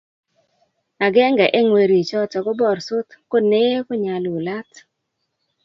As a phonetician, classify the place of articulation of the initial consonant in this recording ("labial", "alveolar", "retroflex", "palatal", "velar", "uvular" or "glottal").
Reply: velar